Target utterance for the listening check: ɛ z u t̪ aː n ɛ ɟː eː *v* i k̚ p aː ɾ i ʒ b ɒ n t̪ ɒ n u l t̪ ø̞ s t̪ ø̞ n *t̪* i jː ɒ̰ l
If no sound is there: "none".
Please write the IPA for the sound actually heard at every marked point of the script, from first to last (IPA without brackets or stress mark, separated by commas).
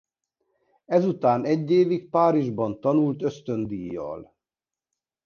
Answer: v, d̪